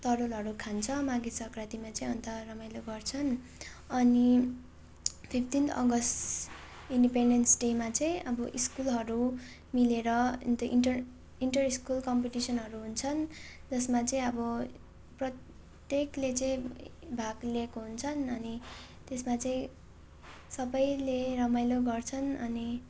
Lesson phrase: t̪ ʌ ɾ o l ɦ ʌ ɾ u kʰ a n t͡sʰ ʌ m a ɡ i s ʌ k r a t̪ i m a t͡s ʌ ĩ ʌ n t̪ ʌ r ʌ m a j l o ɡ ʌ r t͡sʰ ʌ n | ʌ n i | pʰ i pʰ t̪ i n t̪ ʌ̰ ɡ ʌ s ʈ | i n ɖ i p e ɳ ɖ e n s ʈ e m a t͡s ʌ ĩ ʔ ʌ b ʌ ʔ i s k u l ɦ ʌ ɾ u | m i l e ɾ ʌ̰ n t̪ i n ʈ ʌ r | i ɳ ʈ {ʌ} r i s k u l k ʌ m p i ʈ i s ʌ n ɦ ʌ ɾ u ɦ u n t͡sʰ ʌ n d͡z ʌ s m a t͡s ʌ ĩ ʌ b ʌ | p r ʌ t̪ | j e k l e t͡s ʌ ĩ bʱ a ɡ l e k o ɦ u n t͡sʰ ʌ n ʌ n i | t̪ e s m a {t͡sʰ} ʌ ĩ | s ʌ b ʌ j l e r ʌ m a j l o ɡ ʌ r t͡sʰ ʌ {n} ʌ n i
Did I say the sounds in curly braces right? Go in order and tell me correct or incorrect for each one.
correct, incorrect, correct

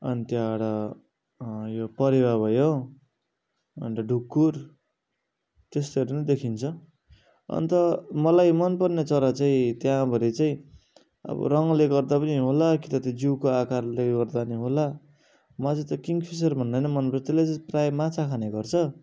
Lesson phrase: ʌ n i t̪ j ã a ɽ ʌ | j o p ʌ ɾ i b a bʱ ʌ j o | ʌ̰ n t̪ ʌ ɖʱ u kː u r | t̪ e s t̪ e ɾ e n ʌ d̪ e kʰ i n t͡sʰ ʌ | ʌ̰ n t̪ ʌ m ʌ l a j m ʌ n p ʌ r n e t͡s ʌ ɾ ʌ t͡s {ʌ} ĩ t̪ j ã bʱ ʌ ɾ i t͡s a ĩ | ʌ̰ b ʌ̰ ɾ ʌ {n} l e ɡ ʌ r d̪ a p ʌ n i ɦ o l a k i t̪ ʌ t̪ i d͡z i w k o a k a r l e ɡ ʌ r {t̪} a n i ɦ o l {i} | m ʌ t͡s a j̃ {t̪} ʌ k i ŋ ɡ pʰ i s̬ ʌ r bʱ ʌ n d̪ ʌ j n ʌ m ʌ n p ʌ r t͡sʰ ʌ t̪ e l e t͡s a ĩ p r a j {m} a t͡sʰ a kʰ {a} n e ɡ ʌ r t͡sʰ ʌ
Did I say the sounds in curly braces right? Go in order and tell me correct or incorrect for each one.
incorrect, incorrect, incorrect, incorrect, correct, correct, correct

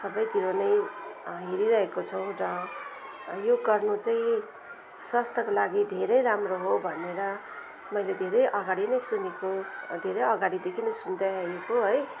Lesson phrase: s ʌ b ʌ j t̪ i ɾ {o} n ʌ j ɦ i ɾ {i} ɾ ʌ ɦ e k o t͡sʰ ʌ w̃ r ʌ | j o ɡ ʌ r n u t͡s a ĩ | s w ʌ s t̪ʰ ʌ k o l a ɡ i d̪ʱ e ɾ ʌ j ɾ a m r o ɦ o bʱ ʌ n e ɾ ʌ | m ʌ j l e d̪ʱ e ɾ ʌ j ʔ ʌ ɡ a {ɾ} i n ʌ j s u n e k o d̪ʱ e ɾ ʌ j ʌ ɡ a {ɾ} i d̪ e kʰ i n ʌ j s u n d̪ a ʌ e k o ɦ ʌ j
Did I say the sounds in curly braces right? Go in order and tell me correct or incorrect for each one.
correct, correct, incorrect, incorrect

